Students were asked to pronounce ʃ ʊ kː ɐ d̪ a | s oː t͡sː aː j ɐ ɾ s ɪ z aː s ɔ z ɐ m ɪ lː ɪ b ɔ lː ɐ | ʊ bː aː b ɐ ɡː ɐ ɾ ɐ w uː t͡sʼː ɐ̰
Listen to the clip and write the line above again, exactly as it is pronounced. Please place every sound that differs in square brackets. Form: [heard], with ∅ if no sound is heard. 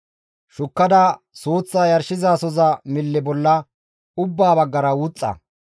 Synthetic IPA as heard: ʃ ʊ kː ɐ d̪ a | s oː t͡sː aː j ɐ ɾ [ʃ] ɪ z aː s ɔ z ɐ m ɪ lː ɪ b ɔ lː ɐ | ʊ bː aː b ɐ ɡː ɐ ɾ ɐ w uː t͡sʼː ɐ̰

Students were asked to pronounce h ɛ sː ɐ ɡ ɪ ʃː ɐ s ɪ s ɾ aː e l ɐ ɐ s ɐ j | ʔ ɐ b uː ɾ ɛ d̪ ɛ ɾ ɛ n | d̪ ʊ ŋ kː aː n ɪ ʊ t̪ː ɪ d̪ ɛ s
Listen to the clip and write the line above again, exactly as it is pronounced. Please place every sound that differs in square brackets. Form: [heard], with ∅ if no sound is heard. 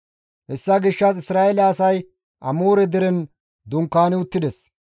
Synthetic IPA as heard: h ɛ sː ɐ ɡ ɪ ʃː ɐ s ɪ s ɾ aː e l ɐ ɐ s ɐ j | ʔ ɐ [m] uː ɾ ɛ d̪ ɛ ɾ ɛ n | d̪ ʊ ŋ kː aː n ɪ ʊ t̪ː ɪ d̪ ɛ s

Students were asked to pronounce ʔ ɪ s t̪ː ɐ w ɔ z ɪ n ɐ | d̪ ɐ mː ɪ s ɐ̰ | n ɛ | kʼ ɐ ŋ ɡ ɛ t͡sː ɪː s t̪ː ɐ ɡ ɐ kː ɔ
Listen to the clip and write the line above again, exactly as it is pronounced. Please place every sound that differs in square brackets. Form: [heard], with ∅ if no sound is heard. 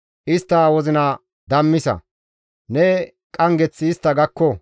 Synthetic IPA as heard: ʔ ɪ s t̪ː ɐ w ɔ z ɪ n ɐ | d̪ ɐ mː ɪ s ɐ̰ | n ɛ | kʼ ɐ ŋ ɡ ɛ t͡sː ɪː s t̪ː ɐ ɡ ɐ kː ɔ

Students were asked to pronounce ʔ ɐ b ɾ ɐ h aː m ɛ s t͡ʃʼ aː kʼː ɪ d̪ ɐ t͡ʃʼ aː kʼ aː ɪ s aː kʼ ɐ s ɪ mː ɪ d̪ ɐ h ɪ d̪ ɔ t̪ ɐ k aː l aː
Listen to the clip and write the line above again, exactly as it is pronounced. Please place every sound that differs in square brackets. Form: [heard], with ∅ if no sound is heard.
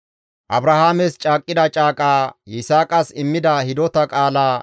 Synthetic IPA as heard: ʔ ɐ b ɾ ɐ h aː m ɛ s t͡ʃʼ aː kʼː ɪ d̪ ɐ t͡ʃʼ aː kʼ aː ɪ s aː kʼ ɐ s ɪ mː ɪ d̪ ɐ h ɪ d̪ ɔ t̪ ɐ [kʼ] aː l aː

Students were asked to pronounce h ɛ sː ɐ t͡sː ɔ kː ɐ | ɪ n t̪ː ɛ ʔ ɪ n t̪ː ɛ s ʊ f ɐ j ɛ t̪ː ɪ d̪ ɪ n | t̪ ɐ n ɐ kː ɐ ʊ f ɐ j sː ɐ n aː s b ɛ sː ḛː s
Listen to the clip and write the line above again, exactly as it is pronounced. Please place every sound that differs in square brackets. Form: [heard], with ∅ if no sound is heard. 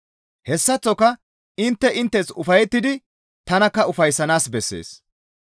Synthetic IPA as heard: h ɛ sː ɐ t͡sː ɔ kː ɐ | ɪ n t̪ː ɛ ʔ ɪ n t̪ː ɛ s ʊ f ɐ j ɛ t̪ː ɪ d̪ ɪ [∅] | t̪ ɐ n ɐ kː ɐ ʊ f ɐ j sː ɐ n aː s b ɛ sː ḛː s

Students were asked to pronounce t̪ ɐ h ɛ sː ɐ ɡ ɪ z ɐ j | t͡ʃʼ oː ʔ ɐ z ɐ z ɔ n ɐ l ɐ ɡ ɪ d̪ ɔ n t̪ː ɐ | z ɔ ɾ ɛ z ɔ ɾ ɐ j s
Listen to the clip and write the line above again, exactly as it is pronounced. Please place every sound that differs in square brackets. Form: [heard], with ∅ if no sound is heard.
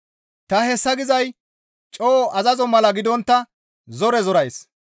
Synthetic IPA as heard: t̪ ɐ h ɛ sː ɐ ɡ ɪ z ɐ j | t͡ʃʼ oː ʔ ɐ z ɐ z ɔ [m] ɐ l ɐ ɡ ɪ d̪ ɔ n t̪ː ɐ | z ɔ ɾ ɛ z ɔ ɾ ɐ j s

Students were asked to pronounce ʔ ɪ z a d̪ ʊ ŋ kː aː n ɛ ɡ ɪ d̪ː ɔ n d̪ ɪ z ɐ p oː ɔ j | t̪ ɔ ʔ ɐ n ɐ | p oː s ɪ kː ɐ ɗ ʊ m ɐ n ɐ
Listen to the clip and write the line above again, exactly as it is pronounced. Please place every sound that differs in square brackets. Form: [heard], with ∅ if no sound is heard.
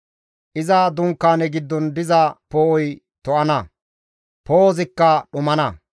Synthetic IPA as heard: ʔ ɪ z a d̪ ʊ ŋ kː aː n ɛ ɡ ɪ d̪ː ɔ n d̪ ɪ z ɐ p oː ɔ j | t̪ ɔ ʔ ɐ n ɐ | p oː [z] ɪ kː ɐ ɗ ʊ m ɐ n ɐ

